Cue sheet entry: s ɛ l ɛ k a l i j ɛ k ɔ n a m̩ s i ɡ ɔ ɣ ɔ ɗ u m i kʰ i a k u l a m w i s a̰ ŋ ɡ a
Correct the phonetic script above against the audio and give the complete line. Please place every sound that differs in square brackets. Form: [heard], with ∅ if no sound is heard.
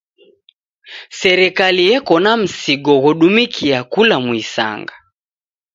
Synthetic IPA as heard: s ɛ [ɾ] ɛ k a l i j ɛ k ɔ n a m̩ s i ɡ ɔ ɣ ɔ ɗ u m i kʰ i a k u l a m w i s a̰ ŋ ɡ a